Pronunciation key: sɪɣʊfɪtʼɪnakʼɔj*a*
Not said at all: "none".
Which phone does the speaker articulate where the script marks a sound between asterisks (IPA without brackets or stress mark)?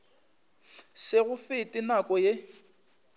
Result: e